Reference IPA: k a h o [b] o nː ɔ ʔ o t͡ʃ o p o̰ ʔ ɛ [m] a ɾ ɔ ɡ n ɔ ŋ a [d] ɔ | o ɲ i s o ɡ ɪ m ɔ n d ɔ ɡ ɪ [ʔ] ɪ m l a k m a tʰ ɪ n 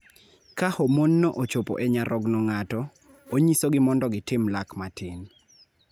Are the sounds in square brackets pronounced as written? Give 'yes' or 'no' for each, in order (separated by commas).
no, no, no, no